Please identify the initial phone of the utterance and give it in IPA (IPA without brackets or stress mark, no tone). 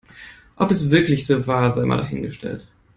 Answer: ʔ